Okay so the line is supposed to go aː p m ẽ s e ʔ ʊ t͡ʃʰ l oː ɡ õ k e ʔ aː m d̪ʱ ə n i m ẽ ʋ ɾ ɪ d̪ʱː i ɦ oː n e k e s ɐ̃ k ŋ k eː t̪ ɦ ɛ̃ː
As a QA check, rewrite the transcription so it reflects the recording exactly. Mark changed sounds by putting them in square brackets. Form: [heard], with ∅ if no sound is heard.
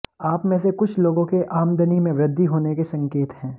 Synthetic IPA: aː p m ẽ s e [k] ʊ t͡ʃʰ l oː ɡ õ k e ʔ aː m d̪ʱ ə n i m ẽ ʋ ɾ ɪ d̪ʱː i ɦ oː n e k e s ɐ̃ [∅] ŋ k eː t̪ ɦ ɛ̃ː